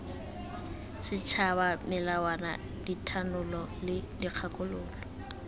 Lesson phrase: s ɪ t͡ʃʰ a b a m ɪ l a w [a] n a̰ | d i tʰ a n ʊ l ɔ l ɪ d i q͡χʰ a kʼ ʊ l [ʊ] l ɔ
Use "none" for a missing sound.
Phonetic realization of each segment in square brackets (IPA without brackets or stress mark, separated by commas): a, ʊː